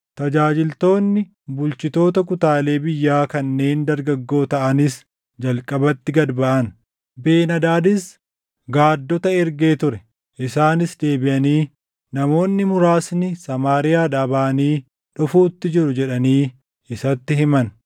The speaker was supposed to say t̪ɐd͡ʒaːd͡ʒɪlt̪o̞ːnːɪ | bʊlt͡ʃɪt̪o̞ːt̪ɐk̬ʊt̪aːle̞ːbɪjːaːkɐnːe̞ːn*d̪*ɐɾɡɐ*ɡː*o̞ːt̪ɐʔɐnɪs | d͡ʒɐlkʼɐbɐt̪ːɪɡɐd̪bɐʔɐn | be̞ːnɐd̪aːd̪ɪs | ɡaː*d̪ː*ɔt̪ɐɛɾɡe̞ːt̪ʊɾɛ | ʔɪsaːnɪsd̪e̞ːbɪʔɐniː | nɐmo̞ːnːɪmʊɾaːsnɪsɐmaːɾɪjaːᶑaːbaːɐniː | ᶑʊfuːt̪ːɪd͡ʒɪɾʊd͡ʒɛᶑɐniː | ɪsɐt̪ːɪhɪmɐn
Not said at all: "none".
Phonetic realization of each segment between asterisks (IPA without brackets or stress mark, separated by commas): d̪, ɡː, d̪ː